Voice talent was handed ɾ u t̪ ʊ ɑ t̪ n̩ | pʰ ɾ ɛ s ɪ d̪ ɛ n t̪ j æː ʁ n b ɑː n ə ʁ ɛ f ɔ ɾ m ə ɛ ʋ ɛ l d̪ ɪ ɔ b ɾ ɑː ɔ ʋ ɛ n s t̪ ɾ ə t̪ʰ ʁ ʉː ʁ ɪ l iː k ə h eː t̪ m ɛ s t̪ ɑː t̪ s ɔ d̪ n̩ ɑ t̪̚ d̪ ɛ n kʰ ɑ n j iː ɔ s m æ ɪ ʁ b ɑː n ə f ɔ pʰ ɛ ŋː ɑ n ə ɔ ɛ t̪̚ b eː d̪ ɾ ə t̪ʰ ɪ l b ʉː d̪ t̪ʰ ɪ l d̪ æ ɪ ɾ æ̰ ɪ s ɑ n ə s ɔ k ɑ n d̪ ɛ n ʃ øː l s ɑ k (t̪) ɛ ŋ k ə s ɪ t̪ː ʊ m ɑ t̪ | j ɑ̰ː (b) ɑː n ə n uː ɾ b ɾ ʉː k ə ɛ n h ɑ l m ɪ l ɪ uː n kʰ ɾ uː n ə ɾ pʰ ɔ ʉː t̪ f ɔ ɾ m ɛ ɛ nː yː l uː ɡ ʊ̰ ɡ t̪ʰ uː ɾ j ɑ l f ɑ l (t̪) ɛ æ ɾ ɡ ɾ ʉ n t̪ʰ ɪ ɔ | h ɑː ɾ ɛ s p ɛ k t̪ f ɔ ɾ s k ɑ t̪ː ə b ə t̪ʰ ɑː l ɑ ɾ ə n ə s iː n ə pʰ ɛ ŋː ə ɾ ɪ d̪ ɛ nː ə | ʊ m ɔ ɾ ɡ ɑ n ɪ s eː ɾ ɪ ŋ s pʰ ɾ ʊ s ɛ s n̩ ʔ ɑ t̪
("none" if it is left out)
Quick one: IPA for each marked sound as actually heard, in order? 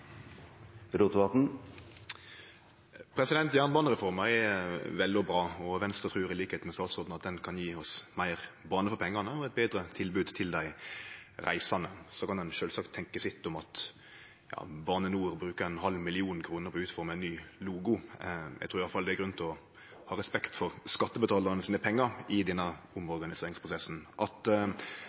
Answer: t̪ʰ, b, d̪

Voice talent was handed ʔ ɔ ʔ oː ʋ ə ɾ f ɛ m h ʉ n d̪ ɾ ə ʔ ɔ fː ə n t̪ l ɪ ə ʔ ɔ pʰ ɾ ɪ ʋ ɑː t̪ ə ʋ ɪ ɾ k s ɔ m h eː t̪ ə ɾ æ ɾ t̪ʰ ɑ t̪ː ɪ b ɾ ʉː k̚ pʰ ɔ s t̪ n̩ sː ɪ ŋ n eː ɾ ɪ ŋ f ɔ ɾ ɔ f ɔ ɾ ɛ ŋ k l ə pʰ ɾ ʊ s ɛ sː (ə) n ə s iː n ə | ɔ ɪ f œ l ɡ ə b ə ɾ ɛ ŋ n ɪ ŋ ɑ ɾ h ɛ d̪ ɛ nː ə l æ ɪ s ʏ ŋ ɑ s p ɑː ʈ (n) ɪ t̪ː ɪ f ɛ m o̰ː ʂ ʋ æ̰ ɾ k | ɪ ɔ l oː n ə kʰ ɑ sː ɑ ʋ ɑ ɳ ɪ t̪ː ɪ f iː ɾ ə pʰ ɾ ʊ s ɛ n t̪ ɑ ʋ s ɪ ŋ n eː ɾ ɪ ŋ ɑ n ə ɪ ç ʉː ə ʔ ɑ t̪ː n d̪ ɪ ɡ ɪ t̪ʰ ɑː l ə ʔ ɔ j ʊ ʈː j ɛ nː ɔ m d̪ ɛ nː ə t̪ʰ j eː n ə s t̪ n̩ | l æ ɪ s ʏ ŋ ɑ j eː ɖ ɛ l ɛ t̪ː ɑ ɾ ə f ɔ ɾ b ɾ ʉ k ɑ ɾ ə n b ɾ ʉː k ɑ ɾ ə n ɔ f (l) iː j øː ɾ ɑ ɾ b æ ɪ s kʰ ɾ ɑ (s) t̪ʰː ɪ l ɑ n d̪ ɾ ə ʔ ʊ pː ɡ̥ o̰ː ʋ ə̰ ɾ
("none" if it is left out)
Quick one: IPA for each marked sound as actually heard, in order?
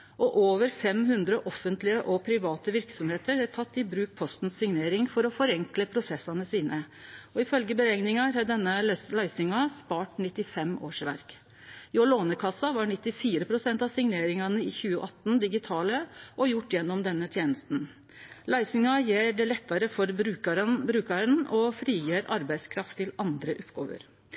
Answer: ɑ, n, ɾ, f

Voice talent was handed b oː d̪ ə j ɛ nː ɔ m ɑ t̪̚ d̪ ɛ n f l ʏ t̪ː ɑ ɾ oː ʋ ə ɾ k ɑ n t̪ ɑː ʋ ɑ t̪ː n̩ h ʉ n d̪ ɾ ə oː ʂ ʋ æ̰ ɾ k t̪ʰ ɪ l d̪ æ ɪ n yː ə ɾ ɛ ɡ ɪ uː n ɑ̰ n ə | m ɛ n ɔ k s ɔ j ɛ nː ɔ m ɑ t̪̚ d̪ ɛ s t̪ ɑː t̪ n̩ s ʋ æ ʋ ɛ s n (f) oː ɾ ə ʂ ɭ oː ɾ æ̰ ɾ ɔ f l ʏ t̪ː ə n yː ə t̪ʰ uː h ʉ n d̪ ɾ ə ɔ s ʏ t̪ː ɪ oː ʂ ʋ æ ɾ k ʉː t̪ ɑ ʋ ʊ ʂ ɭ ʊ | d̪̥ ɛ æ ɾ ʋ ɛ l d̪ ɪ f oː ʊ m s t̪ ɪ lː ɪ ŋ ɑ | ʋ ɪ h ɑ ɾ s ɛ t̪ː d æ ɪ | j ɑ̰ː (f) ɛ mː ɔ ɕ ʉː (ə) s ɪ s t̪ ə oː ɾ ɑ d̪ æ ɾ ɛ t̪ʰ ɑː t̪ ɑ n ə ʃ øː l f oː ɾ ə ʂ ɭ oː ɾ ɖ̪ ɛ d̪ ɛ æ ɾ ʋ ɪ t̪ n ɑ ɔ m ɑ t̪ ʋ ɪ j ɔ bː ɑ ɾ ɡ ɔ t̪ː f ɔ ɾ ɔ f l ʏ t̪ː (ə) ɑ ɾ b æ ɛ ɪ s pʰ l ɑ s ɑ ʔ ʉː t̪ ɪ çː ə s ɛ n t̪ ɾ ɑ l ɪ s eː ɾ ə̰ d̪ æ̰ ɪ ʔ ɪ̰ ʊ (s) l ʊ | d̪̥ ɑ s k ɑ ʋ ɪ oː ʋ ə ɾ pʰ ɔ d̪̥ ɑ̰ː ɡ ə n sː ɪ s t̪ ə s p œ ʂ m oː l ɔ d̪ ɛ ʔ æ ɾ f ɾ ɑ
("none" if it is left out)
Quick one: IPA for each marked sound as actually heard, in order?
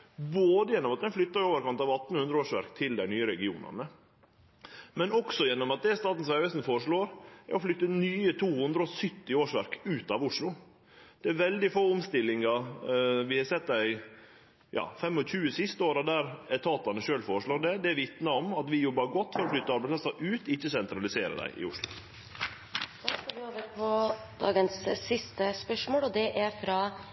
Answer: f, f, ə, ə, ʂ

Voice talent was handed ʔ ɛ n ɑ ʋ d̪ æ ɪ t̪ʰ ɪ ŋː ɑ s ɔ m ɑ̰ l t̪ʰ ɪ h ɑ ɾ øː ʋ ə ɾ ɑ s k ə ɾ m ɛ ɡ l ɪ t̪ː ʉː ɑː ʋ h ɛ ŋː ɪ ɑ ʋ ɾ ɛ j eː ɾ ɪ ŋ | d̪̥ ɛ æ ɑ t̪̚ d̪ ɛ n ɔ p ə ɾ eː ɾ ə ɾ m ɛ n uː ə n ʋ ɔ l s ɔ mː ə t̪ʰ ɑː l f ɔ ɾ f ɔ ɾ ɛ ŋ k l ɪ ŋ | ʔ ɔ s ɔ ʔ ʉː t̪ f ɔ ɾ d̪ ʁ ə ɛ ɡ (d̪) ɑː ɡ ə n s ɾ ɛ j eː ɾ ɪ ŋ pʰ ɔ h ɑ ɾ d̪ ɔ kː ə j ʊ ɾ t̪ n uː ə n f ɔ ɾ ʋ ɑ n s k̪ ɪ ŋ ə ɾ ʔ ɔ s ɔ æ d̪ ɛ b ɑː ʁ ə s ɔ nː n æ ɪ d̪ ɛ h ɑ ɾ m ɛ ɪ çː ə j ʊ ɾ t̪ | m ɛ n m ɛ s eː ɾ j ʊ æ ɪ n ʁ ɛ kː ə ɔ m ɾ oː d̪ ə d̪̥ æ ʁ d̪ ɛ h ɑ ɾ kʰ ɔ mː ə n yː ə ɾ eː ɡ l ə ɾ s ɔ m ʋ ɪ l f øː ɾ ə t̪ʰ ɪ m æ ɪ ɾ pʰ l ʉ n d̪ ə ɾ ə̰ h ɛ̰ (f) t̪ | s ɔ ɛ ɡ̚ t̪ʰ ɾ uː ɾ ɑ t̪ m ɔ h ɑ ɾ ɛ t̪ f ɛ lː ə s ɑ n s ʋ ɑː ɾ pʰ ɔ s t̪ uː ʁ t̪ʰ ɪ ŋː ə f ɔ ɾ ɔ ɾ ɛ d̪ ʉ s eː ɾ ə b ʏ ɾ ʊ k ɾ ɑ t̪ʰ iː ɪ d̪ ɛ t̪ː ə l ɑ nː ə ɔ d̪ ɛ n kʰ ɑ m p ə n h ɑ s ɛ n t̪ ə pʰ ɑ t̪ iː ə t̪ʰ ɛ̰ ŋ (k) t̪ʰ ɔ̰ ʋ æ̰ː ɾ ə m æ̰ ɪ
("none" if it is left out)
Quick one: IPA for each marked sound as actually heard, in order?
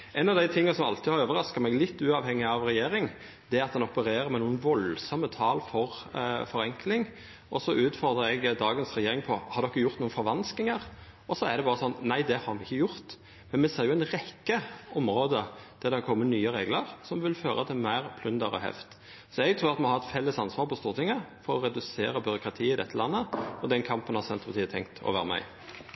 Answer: d̪, f, k

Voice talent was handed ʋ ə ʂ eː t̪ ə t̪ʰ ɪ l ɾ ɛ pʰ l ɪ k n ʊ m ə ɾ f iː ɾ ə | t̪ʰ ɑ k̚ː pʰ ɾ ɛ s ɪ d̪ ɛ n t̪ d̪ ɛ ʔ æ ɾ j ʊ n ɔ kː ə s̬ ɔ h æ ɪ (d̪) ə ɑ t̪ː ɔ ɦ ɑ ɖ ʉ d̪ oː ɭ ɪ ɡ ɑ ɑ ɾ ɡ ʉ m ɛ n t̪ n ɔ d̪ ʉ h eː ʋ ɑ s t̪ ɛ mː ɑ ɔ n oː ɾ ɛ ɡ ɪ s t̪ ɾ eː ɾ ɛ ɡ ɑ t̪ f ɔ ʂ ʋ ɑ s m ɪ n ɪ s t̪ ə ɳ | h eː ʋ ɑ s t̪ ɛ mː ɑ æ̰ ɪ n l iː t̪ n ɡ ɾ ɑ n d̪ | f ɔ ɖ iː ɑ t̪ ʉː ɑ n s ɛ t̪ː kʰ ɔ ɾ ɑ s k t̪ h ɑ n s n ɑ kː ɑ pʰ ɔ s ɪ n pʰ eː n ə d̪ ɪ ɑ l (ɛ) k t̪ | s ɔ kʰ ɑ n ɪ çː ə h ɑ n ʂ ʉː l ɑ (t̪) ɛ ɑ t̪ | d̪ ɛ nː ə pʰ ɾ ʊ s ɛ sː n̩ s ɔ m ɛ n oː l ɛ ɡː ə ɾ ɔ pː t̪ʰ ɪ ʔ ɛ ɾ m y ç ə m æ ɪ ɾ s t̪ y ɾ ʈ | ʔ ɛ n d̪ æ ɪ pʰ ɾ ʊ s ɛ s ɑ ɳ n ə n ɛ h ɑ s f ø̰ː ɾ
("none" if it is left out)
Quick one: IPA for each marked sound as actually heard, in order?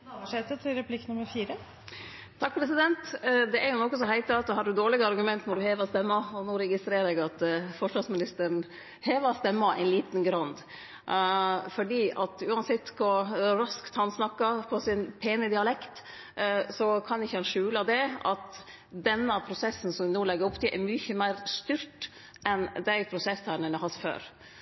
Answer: t̪, ɛ, d̪

